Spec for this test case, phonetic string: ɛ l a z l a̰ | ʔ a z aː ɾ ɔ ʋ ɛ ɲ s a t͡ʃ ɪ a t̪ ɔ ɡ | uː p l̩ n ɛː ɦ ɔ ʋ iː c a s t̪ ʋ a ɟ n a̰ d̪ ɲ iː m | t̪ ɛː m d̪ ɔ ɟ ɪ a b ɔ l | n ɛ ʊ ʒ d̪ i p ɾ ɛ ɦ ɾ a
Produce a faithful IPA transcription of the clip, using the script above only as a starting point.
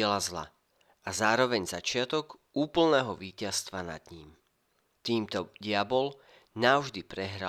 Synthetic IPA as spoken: ɛ l a z l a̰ | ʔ a z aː ɾ ɔ ʋ ɛ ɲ z a t͡ʃ ɪ a t̪ ɔ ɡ | uː p l̩ n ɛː ɦ ɔ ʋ iː c a s t̪ ʋ a n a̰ d̪ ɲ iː m | t̪ iː m t̪ ɔ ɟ ɪ a b ɔ l | n a ʊ ʒ d̪ i p ɾ ɛ ɦ ɾ a